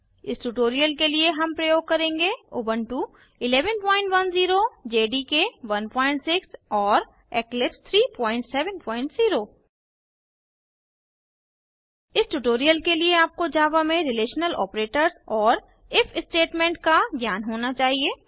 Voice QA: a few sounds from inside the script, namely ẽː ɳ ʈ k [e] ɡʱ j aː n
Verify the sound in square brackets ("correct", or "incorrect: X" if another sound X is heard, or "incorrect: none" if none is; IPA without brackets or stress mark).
incorrect: a